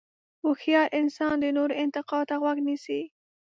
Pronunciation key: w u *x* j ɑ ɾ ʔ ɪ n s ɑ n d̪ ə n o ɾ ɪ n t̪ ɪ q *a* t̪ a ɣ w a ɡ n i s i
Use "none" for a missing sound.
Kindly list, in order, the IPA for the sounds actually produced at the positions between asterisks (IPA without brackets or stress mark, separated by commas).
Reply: x, ɑ